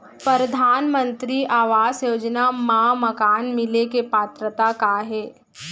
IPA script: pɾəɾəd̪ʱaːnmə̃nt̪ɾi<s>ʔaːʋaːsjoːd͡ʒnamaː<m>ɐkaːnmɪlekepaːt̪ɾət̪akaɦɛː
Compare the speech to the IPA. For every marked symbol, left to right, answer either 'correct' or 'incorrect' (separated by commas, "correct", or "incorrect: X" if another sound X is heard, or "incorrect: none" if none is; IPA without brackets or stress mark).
incorrect: none, correct